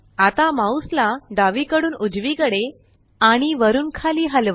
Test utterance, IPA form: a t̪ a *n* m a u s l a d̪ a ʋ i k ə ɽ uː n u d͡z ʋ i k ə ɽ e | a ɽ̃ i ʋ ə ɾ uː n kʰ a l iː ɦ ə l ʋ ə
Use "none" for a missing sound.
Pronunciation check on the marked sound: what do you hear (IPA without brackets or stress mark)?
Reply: none